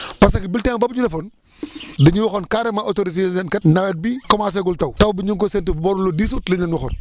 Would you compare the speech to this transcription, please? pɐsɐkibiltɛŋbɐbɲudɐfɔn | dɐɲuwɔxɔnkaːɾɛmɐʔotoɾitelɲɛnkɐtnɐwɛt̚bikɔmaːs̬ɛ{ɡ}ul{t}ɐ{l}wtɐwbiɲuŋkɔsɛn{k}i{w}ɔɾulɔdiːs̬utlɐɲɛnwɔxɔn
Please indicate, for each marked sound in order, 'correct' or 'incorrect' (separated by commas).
correct, correct, incorrect, incorrect, incorrect